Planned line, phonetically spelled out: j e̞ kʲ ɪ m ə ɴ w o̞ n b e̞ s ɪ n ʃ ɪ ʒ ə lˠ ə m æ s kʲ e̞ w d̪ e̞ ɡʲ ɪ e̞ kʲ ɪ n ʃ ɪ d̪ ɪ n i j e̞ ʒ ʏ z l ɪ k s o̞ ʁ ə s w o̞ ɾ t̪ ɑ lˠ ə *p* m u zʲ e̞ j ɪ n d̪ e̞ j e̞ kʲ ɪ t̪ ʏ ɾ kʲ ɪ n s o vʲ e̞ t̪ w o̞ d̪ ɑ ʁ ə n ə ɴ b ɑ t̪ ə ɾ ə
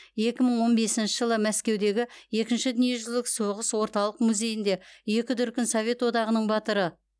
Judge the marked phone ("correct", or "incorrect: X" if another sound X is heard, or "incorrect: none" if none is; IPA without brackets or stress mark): incorrect: q